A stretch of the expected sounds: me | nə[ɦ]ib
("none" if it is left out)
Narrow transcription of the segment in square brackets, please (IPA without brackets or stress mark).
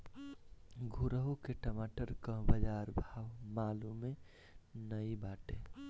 none